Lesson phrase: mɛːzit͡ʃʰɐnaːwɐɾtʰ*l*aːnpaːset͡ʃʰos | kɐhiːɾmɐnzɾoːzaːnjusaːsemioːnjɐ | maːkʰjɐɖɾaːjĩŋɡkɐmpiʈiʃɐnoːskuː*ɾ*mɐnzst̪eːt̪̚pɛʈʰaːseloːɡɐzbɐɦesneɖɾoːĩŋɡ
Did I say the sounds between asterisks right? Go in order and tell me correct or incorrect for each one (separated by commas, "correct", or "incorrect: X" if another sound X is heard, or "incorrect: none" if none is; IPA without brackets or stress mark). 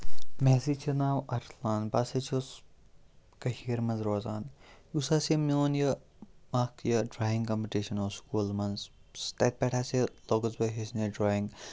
correct, incorrect: l